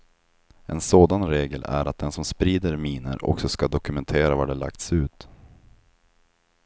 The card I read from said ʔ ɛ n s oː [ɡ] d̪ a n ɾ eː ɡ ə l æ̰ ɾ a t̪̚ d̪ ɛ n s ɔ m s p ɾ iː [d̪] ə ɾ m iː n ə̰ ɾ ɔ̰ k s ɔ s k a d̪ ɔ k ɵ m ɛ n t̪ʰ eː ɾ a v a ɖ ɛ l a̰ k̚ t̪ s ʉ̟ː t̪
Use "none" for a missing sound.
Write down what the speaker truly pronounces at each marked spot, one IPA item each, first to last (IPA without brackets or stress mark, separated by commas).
none, d̪